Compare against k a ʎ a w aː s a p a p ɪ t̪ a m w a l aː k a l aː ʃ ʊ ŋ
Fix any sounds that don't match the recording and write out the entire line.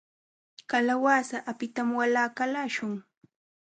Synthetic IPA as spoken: k a l a w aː s a ʔ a p ɪ t̪ a m w a l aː k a l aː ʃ ʊ ŋ